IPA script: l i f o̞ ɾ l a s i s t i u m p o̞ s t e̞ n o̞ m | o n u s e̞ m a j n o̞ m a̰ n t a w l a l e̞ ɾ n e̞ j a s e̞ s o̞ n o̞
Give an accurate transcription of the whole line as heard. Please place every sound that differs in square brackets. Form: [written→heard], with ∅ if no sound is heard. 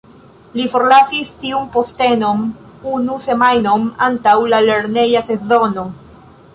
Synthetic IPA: l i f o̞ ɾ l a s i s t i u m p o̞ s t e̞ n o̞ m | [o→u] n u s e̞ m a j n o̞ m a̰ n t a w l a l e̞ ɾ n e̞ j a s e̞ [s→z] o̞ n o̞